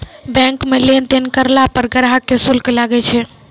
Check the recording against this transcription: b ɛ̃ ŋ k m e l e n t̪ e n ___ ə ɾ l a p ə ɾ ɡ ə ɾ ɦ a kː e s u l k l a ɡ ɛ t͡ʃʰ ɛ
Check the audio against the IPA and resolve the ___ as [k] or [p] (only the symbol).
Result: k